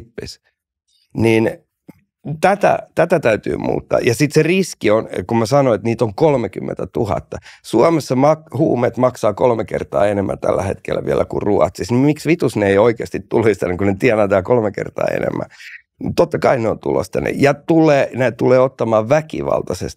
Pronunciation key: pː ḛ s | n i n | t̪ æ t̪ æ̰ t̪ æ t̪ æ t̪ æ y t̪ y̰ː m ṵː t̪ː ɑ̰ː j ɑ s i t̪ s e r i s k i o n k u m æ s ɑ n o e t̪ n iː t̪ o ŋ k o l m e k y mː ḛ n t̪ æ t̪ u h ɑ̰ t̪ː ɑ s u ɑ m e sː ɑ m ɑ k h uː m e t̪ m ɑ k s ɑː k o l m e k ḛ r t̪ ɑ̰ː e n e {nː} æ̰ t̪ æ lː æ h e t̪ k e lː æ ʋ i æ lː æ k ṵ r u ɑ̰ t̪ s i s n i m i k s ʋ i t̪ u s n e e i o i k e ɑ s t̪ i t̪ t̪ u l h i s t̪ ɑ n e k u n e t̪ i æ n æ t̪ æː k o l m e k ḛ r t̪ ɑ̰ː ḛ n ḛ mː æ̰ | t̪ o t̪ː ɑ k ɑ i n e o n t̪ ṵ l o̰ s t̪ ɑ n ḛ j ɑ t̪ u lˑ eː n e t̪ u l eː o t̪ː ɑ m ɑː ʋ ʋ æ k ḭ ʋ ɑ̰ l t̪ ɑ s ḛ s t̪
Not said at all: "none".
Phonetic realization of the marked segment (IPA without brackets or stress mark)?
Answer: mː